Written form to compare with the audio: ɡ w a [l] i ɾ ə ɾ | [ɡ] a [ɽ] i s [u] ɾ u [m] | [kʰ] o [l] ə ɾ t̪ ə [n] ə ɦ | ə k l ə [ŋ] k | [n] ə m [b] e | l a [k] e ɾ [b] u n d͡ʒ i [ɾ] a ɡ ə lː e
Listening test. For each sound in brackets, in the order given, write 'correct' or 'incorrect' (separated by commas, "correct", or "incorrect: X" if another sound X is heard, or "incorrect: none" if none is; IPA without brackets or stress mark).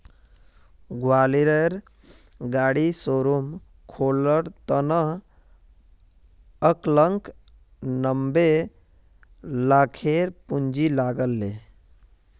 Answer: correct, correct, correct, incorrect: o, correct, correct, correct, correct, correct, correct, correct, incorrect: kʰ, incorrect: p, incorrect: l